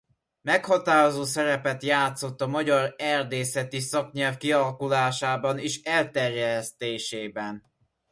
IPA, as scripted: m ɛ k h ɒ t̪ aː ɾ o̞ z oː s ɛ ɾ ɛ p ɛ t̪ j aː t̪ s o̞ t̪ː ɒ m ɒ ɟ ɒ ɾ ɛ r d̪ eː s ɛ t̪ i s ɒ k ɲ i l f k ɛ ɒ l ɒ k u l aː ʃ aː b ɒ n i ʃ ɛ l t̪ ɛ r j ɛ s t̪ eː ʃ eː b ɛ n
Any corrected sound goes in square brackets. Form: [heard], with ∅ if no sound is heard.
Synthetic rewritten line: m ɛ k h ɒ t̪ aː ɾ o̞ z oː s ɛ ɾ ɛ p ɛ t̪ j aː t̪ s o̞ t̪ː ɒ m ɒ ɟ ɒ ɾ ɛ r d̪ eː s ɛ t̪ i s ɒ k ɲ [ɛ] l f k [i] ɒ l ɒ k u l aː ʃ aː b ɒ n i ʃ ɛ l t̪ ɛ r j ɛ s t̪ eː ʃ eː b ɛ n